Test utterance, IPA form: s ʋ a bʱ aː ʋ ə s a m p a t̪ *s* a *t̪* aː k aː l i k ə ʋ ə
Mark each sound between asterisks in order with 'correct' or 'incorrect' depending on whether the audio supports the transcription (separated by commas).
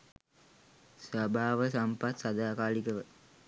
correct, incorrect